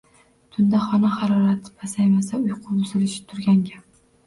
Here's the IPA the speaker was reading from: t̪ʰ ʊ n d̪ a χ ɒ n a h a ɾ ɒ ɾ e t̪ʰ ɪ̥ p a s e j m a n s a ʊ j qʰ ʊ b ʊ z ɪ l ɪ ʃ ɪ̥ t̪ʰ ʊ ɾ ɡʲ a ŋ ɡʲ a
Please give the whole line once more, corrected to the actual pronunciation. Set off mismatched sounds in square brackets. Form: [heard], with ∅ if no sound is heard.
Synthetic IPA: t̪ʰ ʊ n d̪ a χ ɒ n a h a ɾ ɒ ɾ [a] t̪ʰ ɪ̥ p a s [a] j m a [∅] s a ʊ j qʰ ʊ b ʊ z ɪ l ɪ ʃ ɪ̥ t̪ʰ ʊ ɾ ɡʲ a ŋ ɡʲ a